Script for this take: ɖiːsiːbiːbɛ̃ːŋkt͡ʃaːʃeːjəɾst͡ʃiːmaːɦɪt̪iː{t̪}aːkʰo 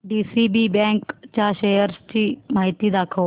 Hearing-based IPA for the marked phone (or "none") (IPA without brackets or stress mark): d̪